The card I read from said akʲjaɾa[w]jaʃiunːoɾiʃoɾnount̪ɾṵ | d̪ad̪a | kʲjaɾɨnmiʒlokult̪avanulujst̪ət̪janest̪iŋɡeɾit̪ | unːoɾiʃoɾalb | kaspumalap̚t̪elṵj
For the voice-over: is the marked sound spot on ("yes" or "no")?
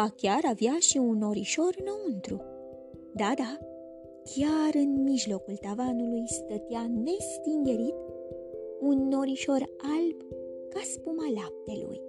no